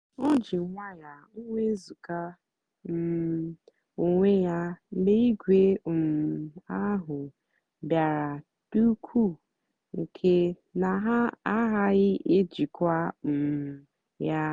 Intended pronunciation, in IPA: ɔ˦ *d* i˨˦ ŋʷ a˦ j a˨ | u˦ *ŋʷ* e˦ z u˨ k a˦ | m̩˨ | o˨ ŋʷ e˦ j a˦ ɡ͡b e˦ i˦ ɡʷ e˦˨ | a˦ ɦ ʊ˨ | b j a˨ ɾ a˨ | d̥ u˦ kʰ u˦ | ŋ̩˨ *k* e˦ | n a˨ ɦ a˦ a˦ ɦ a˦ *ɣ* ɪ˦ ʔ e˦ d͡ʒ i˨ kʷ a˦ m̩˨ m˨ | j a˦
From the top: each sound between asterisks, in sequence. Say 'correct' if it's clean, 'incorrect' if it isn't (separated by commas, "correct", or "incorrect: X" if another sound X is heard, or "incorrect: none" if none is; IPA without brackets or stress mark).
incorrect: d͡ʒ, correct, incorrect: kʰ, correct